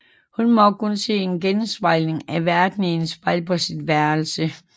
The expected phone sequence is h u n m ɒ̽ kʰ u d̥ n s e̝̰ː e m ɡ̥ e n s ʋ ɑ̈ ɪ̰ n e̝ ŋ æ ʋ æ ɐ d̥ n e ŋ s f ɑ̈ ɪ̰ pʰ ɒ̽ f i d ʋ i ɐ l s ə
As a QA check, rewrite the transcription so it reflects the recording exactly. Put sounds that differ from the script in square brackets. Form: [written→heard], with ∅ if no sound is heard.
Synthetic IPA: h u n m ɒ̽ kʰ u [d̥→∅] n s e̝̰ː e [m→n] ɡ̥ e n s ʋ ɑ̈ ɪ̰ n e̝ ŋ æ ʋ æ ɐ d̥ n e [ŋ→n] s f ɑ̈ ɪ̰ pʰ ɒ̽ [f→s] i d ʋ [i→æ] ɐ l s ə